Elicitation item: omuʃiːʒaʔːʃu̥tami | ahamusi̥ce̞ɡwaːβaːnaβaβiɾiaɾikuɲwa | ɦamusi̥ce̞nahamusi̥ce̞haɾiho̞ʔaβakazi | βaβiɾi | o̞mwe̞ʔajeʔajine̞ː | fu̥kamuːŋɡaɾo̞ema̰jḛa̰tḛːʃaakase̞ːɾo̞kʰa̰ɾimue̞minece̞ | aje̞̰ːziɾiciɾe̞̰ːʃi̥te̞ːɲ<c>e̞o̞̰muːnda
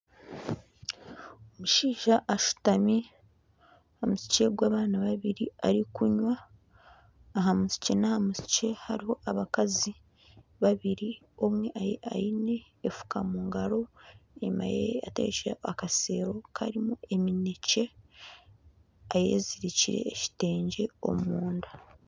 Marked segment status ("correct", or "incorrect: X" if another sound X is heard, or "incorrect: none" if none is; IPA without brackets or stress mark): incorrect: ɟ